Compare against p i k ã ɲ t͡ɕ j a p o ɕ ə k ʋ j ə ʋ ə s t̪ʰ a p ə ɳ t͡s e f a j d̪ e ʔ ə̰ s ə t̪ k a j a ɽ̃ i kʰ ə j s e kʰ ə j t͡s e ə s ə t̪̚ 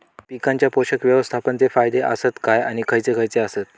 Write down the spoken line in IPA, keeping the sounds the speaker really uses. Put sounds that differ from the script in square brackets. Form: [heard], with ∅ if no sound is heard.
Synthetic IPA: p i k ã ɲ t͡ɕ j a p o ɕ ə k ʋ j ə ʋ ə s t̪ʰ a p ə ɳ t͡s e f a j d̪ e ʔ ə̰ s ə t̪ k a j a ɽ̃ i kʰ ə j [t͡s] e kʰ ə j t͡s e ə s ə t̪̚